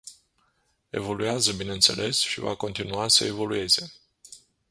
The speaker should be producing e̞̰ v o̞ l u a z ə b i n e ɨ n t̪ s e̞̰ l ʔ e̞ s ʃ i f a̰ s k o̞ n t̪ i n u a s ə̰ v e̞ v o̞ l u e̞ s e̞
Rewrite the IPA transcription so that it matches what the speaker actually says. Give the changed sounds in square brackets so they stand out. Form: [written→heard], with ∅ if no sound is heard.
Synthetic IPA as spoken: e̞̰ v o̞ l u a z ə b i n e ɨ n t̪ s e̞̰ l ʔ e̞ s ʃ i [f→v] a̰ [s→∅] k o̞ n t̪ i n u a s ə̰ [v→∅] e̞ v o̞ l u e̞ [s→z] e̞